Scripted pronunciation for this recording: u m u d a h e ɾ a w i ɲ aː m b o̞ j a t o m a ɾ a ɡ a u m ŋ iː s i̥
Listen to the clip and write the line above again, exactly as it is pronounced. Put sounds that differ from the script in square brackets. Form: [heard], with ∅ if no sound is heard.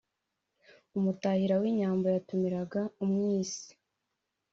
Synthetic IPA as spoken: u m u [t] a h [i] ɾ a w i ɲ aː m b o̞ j a t [u] m [i] ɾ a ɡ a u m ŋ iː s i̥